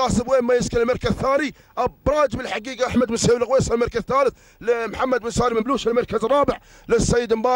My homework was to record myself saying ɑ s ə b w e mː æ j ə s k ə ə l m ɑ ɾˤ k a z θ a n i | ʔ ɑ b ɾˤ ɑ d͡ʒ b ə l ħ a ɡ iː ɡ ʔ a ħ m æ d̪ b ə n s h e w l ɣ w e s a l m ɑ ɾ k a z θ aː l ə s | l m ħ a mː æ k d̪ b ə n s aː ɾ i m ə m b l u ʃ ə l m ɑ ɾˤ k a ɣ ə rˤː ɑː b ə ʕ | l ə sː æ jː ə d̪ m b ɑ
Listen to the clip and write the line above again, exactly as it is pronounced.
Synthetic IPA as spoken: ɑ s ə b w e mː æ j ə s k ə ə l m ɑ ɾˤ k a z θ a n i | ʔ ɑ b ɾˤ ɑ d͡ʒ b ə l ħ a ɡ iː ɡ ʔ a ħ m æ d̪ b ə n s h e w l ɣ w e s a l m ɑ ɾ k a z θ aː l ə θ | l m ħ a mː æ d̪ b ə n s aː ɾ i m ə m b l u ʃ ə l m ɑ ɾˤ k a z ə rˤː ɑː b ə ʕ | l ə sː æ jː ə d̪ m b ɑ